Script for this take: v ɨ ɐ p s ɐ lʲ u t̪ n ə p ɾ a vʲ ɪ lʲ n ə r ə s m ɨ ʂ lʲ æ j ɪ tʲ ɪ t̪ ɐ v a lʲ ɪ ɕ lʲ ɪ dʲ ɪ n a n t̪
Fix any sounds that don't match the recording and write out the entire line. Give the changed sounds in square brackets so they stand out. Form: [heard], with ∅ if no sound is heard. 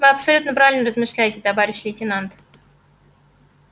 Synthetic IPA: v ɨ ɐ p s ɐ lʲ u t̪ n ə p ɾ a vʲ ɪ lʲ n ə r ə [z] m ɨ ʂ lʲ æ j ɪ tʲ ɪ t̪ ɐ v a [ɾʲ] ɪ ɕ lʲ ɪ [tʲ] ɪ n a n t̪